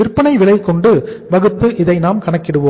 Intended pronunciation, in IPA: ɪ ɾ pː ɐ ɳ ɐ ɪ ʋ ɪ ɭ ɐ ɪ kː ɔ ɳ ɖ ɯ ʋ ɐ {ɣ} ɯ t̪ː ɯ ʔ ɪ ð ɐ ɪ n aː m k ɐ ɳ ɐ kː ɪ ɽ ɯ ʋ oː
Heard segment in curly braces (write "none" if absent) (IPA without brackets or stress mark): ɣ